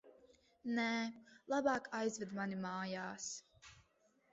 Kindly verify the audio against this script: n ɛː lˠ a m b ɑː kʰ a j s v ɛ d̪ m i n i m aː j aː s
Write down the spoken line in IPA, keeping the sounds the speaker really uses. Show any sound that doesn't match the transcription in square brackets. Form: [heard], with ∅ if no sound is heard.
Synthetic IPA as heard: n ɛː lˠ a [∅] b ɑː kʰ a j [z] v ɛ d̪ m [a] n i m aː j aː s